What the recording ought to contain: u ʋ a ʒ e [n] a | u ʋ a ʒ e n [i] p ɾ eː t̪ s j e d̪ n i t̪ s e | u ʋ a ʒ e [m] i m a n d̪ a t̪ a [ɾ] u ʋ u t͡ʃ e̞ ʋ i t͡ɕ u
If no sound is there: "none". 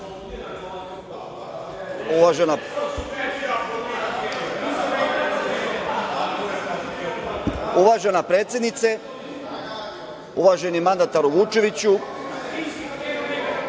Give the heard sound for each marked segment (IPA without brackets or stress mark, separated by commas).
n, a, n, ɾ